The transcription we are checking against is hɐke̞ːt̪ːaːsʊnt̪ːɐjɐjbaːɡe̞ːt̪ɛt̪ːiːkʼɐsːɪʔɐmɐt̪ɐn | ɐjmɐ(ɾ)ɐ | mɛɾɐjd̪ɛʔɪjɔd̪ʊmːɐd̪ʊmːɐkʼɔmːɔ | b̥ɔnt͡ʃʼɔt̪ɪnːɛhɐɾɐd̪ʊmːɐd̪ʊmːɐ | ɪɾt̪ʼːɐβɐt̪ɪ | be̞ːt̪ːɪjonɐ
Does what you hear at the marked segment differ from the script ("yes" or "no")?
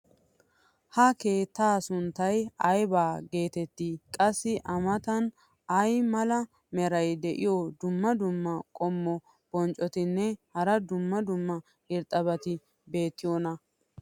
yes